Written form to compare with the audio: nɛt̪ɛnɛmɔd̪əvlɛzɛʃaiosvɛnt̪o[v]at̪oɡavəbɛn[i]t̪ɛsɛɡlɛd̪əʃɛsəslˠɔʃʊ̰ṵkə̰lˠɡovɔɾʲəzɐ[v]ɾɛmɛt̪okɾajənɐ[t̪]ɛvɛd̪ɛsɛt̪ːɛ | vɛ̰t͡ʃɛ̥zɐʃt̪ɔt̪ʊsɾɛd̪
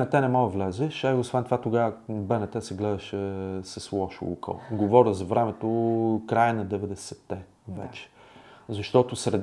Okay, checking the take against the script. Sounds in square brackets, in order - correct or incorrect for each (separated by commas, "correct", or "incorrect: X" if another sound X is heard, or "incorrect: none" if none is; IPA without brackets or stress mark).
correct, incorrect: ɛ, correct, incorrect: d̪